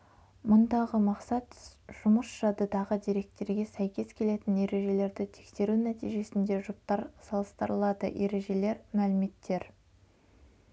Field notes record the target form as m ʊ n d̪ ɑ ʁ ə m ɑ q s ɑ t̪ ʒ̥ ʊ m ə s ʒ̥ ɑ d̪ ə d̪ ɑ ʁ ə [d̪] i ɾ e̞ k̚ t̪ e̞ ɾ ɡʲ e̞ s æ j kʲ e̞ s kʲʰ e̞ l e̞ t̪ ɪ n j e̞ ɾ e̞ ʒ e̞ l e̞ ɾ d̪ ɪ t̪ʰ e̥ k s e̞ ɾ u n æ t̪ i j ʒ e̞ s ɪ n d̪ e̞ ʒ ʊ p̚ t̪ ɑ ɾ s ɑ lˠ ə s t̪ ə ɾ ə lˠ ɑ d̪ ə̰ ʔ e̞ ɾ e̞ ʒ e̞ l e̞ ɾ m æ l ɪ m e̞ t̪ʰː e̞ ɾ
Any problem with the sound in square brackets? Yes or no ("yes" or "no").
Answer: no